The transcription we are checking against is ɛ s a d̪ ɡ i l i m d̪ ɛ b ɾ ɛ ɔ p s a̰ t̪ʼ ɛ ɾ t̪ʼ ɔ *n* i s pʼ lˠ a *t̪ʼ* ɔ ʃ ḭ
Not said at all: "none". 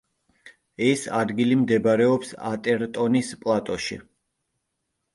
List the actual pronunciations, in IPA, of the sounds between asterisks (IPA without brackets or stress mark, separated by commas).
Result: n, t̪ʼ